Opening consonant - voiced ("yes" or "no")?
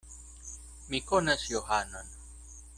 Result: yes